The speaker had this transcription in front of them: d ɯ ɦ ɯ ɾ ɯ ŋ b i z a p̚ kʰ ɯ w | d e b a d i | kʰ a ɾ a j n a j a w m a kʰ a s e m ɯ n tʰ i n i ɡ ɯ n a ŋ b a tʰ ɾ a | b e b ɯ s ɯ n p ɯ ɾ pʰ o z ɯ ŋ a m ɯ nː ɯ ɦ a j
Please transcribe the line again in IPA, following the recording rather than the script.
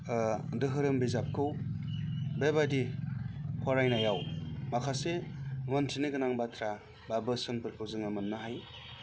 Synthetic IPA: d ɯ ɦ ɯ ɾ ɯ m b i z a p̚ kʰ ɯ w | b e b a d i | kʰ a ɾ a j n a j a w m a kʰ a s e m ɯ n tʰ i n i ɡ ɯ n a ŋ b a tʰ ɾ a | b a b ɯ s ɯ n p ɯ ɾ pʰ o z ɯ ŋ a m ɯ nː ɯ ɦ a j